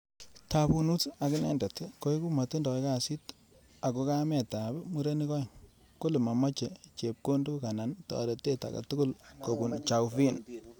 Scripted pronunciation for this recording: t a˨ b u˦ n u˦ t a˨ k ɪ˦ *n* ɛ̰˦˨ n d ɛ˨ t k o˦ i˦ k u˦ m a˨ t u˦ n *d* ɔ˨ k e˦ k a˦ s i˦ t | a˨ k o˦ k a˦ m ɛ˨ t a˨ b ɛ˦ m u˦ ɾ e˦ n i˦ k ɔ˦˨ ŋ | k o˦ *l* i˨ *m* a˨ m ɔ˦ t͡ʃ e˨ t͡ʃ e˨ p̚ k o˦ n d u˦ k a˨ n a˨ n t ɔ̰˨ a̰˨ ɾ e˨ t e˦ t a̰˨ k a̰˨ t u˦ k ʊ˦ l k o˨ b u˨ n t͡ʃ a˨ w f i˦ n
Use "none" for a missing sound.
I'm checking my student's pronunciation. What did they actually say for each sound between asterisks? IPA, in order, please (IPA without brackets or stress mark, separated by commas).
n, d, l, m